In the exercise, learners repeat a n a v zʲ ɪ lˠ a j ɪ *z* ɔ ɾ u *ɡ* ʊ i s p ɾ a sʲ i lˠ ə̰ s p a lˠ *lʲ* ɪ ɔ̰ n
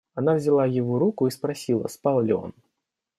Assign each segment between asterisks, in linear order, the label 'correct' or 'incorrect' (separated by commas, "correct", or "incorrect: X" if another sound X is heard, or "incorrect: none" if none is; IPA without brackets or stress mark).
incorrect: v, incorrect: k, correct